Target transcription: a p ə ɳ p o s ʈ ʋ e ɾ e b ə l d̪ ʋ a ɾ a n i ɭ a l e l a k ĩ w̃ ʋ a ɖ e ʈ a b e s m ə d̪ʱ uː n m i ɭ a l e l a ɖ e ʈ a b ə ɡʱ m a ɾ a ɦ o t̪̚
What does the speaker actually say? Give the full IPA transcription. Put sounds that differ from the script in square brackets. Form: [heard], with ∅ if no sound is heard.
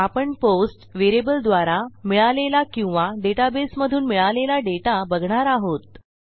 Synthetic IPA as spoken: a p ə ɳ p o s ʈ ʋ e ɾ e b ə l d̪ ʋ a ɾ a [m] i ɭ a l e l a k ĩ w̃ ʋ a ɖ e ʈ a b e s m ə d̪ʱ uː n m i ɭ a l e l a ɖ e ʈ a b ə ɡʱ [ɳ] a ɾ a ɦ o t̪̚